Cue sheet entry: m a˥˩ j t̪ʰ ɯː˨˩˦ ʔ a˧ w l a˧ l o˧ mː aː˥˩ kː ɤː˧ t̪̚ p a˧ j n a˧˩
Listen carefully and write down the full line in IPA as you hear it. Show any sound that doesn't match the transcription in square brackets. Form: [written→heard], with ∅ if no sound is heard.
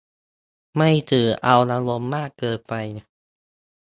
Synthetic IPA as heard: m a˥˩ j t̪ʰ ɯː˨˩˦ ʔ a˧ w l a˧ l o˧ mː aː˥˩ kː ɤː˧ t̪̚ p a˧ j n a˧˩